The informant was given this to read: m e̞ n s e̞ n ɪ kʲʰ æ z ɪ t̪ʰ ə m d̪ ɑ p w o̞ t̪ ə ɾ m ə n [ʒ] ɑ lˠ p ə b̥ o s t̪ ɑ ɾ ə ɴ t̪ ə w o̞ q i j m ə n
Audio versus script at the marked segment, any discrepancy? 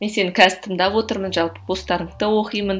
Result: no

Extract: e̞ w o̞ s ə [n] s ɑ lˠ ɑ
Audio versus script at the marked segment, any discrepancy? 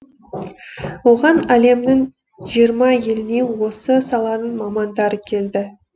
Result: yes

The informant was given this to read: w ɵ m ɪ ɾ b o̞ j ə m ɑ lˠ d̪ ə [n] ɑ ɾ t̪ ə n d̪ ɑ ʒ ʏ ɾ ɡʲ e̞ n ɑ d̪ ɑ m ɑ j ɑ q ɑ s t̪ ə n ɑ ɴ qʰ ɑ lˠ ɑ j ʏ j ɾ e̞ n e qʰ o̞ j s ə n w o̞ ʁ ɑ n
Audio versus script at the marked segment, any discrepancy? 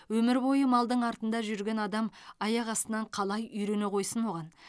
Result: yes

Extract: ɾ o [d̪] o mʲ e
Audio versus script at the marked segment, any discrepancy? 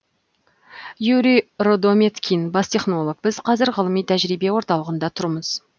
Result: no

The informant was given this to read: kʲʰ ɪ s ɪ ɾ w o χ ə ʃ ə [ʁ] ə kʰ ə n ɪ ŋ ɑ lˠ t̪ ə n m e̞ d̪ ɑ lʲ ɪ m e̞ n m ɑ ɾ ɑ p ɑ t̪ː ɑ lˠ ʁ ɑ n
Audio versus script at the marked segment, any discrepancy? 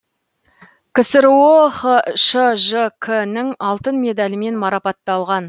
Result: yes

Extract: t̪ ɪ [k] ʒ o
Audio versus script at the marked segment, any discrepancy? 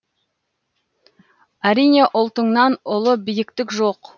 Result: no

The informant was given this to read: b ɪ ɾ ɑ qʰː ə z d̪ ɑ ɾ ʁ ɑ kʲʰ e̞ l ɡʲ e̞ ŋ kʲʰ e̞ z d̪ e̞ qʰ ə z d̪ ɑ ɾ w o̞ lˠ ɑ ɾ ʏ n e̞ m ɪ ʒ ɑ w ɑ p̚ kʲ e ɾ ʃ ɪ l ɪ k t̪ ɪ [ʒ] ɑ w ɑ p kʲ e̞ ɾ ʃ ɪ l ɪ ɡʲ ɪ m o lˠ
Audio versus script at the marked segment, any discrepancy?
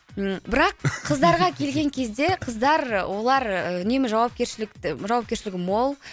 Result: no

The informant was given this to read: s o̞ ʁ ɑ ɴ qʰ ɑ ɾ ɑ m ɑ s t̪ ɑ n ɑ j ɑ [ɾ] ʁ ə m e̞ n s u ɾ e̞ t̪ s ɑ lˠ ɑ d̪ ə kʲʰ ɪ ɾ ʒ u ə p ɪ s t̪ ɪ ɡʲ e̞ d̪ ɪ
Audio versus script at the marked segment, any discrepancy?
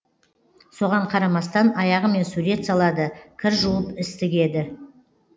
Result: yes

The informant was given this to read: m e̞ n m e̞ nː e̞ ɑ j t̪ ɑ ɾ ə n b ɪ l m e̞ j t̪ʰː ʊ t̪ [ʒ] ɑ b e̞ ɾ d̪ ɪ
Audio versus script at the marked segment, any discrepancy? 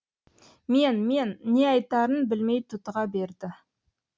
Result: yes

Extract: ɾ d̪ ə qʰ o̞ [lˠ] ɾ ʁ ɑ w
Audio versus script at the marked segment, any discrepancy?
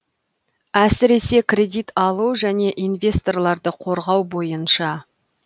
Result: yes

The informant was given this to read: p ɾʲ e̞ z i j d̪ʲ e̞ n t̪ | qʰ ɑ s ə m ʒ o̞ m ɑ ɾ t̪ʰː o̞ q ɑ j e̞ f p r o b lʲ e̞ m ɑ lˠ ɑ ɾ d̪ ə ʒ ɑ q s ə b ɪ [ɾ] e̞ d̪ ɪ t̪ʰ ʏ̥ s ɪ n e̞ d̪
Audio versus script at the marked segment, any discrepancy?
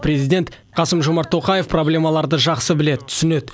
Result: yes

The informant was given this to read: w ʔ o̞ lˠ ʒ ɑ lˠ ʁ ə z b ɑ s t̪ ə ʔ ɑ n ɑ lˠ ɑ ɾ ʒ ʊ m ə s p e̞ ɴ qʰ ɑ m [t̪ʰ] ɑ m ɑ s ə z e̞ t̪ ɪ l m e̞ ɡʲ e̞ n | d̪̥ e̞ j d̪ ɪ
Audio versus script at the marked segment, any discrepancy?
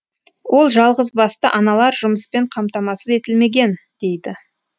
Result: yes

